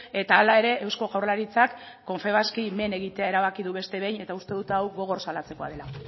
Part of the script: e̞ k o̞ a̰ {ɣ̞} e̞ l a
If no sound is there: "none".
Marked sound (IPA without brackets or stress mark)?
ð̞